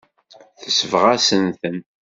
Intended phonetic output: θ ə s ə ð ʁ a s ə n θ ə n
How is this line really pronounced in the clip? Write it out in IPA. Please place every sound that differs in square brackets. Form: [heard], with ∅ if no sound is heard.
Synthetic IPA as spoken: θ ə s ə [v] ʁ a s ə n θ ə n